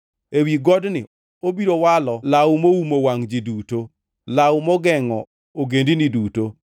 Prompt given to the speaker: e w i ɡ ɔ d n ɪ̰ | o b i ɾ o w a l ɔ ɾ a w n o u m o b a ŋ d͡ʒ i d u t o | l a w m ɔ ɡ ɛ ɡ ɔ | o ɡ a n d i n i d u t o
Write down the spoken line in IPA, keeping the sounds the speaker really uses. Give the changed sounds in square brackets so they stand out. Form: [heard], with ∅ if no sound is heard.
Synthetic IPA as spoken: e w i ɡ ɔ d n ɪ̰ | o b i ɾ o w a l ɔ [l] a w [m] o u m o [w] a ŋ d͡ʒ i d u t o | l a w m ɔ ɡ ɛ [ŋ] ɔ | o ɡ [e] n d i n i d u t o